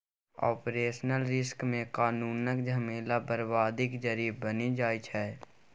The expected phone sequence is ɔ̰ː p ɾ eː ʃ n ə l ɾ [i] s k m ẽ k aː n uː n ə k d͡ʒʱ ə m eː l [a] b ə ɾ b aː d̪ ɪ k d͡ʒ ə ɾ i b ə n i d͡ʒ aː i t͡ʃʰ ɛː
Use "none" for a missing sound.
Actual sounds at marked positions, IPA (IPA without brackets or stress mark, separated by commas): ɪ, a